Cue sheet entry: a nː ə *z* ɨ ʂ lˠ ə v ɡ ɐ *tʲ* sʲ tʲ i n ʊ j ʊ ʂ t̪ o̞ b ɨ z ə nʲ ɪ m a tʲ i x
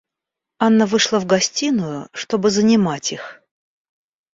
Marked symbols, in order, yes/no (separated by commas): no, no